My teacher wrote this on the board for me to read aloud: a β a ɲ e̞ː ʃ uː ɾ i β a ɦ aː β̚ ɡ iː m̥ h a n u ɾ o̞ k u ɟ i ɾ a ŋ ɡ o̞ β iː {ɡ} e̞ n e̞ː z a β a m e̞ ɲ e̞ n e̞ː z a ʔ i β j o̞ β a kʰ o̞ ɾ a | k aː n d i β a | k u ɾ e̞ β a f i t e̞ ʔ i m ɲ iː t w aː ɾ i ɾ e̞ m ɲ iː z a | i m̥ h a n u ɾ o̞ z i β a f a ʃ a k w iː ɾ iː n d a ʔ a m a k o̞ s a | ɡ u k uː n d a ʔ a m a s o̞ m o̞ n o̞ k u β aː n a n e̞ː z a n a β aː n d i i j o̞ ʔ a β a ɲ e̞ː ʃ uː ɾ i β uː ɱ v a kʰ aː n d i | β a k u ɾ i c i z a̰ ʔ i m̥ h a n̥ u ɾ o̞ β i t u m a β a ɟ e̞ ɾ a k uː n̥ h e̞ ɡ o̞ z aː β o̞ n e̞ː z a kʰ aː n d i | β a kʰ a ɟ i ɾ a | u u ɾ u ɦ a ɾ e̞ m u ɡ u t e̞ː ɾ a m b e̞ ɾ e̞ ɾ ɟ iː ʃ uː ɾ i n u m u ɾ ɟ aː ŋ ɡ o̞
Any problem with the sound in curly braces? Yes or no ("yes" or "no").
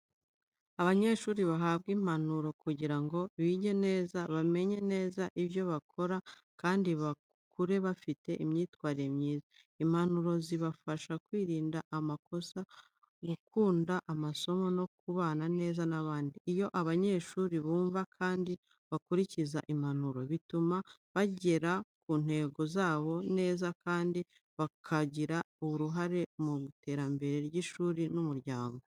yes